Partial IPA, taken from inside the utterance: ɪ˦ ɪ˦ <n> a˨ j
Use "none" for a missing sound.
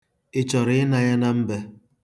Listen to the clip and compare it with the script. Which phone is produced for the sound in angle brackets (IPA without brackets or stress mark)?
n